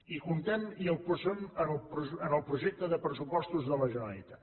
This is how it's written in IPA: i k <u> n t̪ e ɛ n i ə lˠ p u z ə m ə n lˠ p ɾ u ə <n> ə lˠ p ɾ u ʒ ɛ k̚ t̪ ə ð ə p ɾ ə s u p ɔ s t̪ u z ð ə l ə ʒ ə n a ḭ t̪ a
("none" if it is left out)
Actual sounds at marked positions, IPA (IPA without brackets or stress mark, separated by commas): u, n